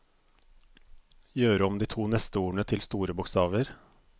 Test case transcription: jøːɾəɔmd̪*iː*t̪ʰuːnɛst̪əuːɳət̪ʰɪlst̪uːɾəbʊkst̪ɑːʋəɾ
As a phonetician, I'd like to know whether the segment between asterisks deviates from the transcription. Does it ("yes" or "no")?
no